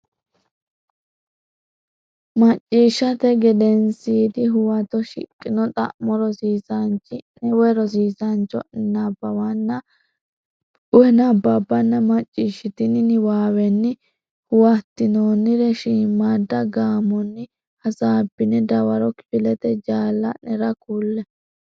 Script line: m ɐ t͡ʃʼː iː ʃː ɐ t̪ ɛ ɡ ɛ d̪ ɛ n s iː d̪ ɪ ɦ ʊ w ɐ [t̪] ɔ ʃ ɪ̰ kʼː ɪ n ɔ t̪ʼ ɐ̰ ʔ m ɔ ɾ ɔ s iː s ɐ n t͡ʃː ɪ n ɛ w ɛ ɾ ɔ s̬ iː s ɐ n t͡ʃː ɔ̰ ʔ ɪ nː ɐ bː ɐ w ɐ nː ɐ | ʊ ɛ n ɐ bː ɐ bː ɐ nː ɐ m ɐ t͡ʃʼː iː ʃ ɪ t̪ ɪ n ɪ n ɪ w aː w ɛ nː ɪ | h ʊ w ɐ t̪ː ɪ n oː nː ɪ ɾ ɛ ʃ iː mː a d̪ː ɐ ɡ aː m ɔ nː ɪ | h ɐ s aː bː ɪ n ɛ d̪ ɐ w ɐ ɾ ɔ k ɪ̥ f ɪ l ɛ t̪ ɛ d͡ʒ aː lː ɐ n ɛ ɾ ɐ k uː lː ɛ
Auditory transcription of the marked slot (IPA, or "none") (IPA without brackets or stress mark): t̪